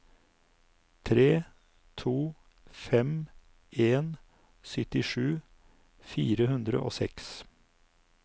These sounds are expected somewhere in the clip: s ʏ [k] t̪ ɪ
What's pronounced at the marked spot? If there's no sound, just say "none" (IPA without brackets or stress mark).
none